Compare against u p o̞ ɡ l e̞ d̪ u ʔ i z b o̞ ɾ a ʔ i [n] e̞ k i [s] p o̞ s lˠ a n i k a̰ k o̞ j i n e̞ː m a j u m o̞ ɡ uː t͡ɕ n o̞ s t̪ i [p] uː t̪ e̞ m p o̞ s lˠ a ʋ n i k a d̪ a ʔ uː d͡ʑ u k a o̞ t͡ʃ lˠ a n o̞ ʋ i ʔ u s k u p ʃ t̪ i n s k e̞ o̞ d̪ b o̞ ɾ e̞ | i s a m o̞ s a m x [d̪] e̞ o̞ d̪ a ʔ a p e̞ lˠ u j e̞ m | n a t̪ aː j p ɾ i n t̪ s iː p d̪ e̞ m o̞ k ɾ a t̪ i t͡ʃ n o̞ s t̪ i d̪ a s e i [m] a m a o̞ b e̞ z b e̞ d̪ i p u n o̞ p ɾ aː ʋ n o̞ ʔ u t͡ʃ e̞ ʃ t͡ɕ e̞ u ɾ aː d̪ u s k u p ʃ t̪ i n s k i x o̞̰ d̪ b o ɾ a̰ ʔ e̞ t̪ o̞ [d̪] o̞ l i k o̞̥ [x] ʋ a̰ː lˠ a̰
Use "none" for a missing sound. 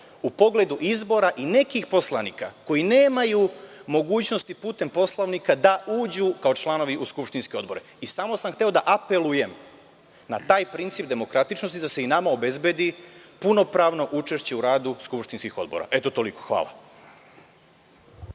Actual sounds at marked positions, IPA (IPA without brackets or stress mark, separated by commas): n, x, p, t̪, n, t̪, x